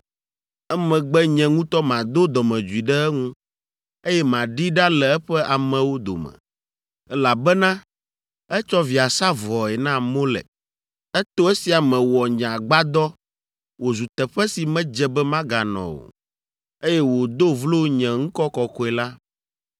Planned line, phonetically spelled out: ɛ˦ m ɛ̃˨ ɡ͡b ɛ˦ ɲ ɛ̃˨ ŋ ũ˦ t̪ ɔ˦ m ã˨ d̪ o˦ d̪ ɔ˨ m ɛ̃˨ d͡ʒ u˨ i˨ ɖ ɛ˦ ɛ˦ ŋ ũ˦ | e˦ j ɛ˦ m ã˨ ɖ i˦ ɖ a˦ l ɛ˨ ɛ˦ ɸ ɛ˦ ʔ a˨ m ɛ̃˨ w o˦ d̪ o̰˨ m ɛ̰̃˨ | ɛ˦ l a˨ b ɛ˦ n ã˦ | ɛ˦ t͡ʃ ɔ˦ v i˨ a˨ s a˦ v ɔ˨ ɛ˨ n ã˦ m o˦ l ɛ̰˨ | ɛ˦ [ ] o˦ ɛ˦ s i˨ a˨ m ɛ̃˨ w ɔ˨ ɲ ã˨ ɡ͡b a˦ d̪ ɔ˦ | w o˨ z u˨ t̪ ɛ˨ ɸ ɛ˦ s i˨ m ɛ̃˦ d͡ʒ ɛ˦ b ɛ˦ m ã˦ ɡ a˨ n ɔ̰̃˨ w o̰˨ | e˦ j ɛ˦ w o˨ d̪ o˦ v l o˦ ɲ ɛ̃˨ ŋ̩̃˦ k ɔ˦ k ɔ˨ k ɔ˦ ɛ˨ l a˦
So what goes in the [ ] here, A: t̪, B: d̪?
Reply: A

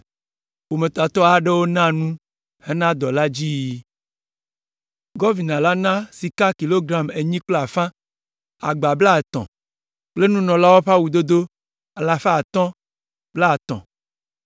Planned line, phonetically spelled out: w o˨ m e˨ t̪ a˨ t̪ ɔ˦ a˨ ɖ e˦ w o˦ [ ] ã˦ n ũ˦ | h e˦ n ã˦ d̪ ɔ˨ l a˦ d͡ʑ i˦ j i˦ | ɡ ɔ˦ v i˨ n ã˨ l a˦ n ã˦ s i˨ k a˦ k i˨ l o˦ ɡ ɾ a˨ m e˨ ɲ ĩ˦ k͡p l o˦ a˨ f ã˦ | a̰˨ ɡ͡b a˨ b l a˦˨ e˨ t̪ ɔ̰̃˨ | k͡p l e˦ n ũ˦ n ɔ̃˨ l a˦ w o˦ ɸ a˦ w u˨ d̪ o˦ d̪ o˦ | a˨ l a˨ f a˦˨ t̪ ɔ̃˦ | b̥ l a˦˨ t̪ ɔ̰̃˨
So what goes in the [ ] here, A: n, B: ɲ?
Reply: A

